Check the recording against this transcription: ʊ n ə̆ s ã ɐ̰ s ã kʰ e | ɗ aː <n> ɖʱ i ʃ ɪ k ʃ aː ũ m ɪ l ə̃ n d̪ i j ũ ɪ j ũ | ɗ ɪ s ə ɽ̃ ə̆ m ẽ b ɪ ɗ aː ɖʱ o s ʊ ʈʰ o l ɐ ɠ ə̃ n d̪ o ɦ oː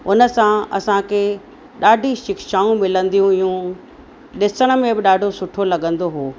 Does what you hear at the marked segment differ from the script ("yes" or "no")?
yes